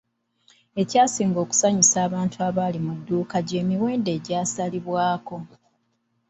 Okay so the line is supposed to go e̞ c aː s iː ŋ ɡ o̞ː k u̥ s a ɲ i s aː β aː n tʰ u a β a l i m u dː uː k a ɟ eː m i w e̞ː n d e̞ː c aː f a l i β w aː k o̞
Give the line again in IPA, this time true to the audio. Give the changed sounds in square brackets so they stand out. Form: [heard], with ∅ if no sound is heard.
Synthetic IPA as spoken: e̞ c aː s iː ŋ ɡ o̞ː k u̥ s a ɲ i s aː β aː n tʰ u a β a l i m u dː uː k a ɟ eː m i w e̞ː n d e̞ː [ɟ] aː [s] a l i β w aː k o̞